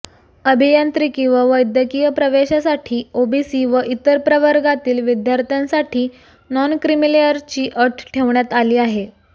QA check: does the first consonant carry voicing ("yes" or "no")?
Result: yes